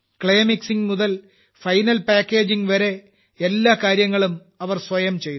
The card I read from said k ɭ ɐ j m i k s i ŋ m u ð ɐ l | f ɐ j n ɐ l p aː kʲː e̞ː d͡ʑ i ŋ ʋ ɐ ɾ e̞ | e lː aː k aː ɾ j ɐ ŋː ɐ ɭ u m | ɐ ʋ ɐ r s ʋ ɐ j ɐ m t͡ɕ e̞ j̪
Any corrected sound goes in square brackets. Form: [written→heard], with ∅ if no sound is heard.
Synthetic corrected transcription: k ɭ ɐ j m i k s i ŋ m u ð ɐ l | f ɐ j n ɐ l p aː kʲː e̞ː d͡ʑ i ŋ ʋ ɐ ɾ e̞ | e lː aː k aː ɾ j ɐ ŋː ɐ ɭ u m | ɐ ʋ ɐ r s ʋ ɐ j ɐ m t͡ɕ e̞ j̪

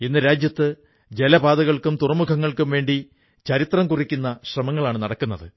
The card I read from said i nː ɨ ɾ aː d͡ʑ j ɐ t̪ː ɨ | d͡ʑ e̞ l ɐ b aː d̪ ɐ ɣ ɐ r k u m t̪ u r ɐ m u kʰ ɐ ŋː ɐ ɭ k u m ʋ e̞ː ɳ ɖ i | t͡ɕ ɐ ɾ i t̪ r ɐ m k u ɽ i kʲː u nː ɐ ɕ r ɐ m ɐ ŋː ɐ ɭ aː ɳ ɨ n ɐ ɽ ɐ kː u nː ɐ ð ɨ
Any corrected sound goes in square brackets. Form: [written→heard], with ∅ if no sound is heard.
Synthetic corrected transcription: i nː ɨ ɾ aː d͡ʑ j ɐ t̪ː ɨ | d͡ʑ e̞ l ɐ b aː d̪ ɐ ɣ ɐ [r→ɭ] k u m t̪ u r ɐ m u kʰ ɐ ŋː ɐ ɭ k u m ʋ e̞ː ɳ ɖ i | t͡ɕ ɐ ɾ i t̪ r ɐ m k u [ɽ→r] i kʲː u nː ɐ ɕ r ɐ m ɐ ŋː ɐ ɭ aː ɳ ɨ n ɐ ɽ ɐ kː u nː ɐ ð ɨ

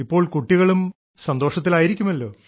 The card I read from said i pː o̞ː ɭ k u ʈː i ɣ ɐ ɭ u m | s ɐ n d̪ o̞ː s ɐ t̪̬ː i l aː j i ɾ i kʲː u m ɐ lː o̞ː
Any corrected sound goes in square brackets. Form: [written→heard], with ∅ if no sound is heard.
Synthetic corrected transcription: i pː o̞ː ɭ k u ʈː i ɣ ɐ ɭ u m | s ɐ n d̪ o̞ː [s→ʂ] ɐ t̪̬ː i l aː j i ɾ i kʲː u m ɐ lː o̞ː

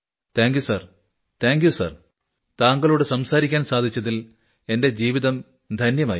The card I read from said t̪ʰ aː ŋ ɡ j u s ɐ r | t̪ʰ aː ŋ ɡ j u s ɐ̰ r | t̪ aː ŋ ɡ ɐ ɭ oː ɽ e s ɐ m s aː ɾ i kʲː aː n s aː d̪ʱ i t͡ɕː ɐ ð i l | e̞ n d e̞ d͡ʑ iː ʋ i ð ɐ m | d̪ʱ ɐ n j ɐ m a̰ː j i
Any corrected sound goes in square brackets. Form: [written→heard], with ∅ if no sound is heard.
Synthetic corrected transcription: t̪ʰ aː ŋ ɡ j u s ɐ r | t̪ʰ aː ŋ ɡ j u s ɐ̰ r | t̪ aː ŋ ɡ ɐ ɭ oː ɽ e s ɐ m s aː ɾ i kʲː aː n s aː d̪ʱ i t͡ɕː ɐ ð i l | e̞ n d e̞ d͡ʑ iː ʋ i ð ɐ m | d̪ʱ ɐ n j ɐ m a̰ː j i

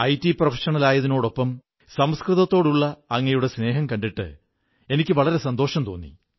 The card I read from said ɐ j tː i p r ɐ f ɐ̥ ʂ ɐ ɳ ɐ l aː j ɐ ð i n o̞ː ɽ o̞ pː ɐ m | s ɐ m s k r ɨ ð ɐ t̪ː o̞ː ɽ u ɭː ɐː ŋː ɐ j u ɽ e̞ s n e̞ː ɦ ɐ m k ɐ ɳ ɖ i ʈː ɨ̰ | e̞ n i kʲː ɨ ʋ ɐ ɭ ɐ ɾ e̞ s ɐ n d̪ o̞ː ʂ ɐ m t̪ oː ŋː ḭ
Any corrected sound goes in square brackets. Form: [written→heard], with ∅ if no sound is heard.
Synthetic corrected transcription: ɐ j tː i p r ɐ f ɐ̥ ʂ ɐ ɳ ɐ l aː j ɐ ð i n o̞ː ɽ o̞ pː ɐ m | s ɐ m s k r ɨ ð ɐ t̪ː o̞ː ɽ u ɭː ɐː ŋː ɐ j u ɽ e̞ s n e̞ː ɦ ɐ m k ɐ ɳ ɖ i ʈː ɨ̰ | e̞ n i kʲː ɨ ʋ ɐ ɭ ɐ ɾ e̞ s ɐ n d̪ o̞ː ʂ ɐ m t̪ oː [ŋː→nː] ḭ

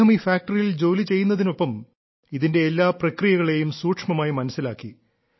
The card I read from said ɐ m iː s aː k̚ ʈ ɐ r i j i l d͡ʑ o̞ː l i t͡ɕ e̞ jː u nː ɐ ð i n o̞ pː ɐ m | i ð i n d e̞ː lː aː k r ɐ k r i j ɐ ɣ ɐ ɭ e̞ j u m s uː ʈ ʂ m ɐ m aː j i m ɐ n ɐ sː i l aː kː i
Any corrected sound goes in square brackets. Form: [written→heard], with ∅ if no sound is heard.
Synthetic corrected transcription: ɐ m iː [s→f] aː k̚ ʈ ɐ r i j i l d͡ʑ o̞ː l i t͡ɕ e̞ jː u nː ɐ ð i n o̞ pː ɐ m | i ð i n d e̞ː lː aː [k→p] r ɐ k r i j ɐ ɣ ɐ ɭ e̞ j u m s uː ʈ ʂ m ɐ m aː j i m ɐ n ɐ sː i l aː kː i

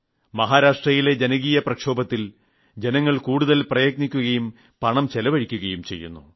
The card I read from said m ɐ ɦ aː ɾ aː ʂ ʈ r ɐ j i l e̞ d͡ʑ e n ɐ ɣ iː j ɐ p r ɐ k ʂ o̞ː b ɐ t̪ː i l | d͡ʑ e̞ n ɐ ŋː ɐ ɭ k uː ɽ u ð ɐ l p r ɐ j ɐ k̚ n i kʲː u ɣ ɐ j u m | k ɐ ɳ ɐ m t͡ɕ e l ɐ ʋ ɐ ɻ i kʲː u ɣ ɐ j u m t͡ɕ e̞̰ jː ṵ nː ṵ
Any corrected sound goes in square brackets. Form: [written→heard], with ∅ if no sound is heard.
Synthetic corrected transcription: m ɐ ɦ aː ɾ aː ʂ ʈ r ɐ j i l e̞ d͡ʑ e n ɐ ɣ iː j ɐ p r ɐ k ʂ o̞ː b ɐ t̪ː i l | d͡ʑ e̞ n ɐ ŋː ɐ ɭ k uː ɽ u ð ɐ l p r ɐ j ɐ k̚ n i kʲː u ɣ ɐ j u m | [k→p] ɐ ɳ ɐ m t͡ɕ e l ɐ ʋ ɐ ɻ i kʲː u ɣ ɐ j u m t͡ɕ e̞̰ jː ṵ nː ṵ

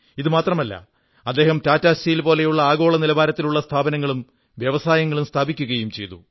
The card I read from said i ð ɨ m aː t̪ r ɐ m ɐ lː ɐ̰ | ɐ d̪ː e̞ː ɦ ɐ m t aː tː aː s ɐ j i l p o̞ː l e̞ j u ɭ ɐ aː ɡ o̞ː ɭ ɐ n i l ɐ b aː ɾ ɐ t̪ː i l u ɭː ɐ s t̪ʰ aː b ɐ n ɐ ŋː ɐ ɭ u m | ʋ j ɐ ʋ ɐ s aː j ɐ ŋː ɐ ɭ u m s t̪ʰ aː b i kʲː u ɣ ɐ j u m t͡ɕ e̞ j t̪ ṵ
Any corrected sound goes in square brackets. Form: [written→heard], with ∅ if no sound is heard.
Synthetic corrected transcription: i ð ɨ m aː t̪ r ɐ m ɐ lː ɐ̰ | ɐ d̪ː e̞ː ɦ ɐ m t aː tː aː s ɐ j i l p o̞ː l e̞ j u [ɭ→ɭː] ɐ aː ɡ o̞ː ɭ ɐ n i l ɐ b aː ɾ ɐ t̪ː i l u ɭː ɐ s t̪ʰ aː b ɐ n ɐ ŋː ɐ ɭ u m | ʋ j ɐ ʋ ɐ s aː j ɐ ŋː ɐ ɭ u m s t̪ʰ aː b i kʲː u ɣ ɐ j u m t͡ɕ e̞ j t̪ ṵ

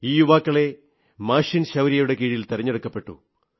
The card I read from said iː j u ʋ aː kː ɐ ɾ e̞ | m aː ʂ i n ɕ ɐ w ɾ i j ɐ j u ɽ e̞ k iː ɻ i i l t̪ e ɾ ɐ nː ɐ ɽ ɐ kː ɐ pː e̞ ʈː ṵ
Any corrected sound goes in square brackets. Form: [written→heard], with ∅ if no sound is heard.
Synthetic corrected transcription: iː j u ʋ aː kː ɐ [ɾ→ɭ] e̞ | m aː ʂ i n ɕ ɐ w ɾ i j ɐ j u ɽ e̞ k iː ɻ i i l t̪ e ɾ ɐ [nː→ɲː] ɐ ɽ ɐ kː ɐ pː e̞ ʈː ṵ

